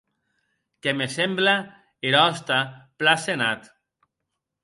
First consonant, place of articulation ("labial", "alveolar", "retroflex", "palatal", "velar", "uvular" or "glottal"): velar